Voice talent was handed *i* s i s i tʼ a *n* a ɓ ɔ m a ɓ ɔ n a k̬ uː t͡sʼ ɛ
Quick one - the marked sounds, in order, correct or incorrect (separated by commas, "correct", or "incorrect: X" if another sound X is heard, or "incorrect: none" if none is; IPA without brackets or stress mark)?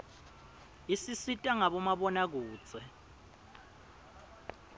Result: correct, incorrect: ŋ